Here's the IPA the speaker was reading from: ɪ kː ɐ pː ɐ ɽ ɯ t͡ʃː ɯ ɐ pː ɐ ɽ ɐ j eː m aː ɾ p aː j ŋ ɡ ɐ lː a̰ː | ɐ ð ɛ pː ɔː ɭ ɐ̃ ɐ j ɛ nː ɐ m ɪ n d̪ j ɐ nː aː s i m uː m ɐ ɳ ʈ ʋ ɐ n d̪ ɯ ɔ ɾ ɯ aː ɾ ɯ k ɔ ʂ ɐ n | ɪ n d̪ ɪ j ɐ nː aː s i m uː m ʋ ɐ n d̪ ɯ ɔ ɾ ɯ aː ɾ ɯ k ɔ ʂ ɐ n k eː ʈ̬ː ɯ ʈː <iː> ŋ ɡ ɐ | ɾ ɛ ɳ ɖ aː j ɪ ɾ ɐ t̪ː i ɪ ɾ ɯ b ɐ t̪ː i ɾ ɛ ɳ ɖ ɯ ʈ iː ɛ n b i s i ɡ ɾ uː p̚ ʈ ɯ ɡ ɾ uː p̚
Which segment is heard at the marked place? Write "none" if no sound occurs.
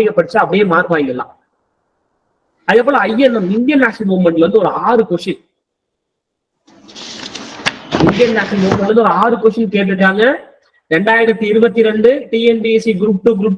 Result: aː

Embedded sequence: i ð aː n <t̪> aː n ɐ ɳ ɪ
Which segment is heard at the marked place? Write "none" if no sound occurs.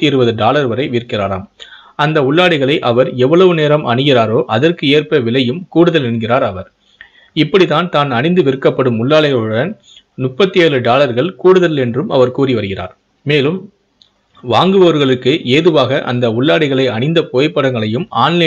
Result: t̪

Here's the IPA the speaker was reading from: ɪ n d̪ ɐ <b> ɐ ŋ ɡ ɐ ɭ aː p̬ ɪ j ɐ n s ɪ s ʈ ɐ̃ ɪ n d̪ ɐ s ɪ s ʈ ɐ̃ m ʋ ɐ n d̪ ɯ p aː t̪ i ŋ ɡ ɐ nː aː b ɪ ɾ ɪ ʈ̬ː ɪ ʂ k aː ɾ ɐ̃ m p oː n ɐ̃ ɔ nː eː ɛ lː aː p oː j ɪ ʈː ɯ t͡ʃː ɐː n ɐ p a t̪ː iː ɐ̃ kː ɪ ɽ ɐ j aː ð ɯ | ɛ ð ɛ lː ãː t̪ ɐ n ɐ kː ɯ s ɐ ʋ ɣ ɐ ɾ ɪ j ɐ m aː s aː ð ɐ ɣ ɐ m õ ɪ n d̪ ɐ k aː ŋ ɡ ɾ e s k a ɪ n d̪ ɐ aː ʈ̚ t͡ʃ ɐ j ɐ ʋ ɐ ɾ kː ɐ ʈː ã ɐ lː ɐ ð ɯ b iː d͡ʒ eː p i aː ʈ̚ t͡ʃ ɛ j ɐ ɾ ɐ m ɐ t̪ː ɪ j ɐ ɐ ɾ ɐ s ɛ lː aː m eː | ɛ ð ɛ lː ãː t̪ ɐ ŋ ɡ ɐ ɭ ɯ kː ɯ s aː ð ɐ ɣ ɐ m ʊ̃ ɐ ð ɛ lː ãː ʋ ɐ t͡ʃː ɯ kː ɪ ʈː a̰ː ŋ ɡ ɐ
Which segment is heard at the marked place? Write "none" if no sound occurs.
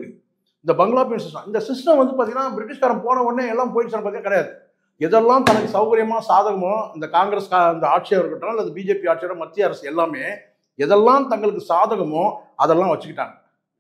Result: b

